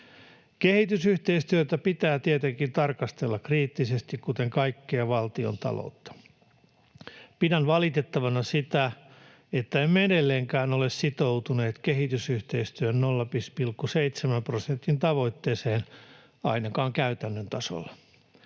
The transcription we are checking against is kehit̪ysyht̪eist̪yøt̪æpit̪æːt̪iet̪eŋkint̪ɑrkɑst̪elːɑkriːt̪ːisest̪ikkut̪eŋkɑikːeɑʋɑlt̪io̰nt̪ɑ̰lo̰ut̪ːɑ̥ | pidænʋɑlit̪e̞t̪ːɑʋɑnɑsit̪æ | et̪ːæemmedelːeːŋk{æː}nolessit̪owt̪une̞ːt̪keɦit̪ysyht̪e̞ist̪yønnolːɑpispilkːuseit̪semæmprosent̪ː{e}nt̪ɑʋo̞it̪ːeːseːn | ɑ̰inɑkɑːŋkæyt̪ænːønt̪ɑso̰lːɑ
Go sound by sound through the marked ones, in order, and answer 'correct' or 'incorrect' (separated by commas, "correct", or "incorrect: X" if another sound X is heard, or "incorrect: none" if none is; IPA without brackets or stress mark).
correct, incorrect: i